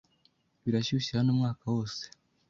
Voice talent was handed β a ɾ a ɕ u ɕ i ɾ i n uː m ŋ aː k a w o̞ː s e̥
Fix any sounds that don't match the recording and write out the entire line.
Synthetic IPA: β i ɾ a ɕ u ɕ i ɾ a n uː m ŋ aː k a w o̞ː s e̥